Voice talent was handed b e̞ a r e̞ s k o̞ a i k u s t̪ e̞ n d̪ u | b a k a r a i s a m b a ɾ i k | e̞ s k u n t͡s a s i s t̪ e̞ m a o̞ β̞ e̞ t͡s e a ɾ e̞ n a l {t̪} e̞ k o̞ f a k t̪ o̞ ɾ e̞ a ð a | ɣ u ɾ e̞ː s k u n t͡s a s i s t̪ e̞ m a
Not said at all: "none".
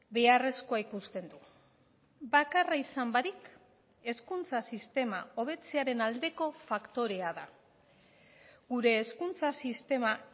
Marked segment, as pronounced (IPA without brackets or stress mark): d̪